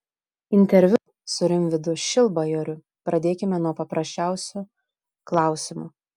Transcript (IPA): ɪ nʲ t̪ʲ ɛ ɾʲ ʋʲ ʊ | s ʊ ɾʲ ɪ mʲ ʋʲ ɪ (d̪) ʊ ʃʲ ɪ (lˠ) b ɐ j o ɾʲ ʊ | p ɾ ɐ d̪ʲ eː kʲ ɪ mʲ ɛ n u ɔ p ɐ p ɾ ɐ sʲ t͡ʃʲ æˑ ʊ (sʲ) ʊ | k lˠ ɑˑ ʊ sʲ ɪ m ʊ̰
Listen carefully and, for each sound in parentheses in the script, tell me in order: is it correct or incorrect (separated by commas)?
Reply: correct, correct, correct